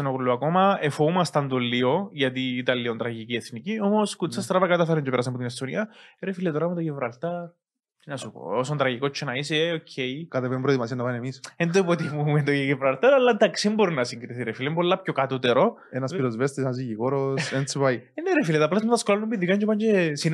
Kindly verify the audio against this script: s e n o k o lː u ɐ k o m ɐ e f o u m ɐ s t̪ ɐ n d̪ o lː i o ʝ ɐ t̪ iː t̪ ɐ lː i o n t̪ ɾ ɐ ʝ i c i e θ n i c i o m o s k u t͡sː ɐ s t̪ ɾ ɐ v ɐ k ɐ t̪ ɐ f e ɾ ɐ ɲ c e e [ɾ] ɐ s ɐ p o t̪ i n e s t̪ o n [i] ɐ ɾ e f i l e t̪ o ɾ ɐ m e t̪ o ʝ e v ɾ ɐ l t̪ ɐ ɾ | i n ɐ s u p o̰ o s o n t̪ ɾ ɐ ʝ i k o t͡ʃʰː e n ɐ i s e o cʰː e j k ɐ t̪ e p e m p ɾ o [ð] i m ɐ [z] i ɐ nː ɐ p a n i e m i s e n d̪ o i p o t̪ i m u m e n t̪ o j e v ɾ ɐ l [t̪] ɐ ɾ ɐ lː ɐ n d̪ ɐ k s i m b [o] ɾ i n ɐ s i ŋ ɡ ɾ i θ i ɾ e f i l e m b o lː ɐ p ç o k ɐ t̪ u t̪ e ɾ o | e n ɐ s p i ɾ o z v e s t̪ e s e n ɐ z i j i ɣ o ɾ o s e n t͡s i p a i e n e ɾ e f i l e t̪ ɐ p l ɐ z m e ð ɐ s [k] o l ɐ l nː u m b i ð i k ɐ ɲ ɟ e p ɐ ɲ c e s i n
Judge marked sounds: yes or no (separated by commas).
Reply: yes, yes, yes, no, yes, yes, yes